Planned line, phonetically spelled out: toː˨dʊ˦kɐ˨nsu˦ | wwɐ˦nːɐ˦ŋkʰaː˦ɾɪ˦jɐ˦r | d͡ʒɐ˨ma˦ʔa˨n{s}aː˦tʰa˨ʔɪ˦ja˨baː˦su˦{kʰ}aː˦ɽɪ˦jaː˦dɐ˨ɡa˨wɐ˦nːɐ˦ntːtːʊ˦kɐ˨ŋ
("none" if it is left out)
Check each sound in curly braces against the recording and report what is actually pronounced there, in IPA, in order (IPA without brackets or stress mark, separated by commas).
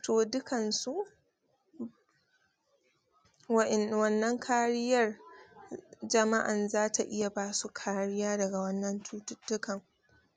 z, kʰ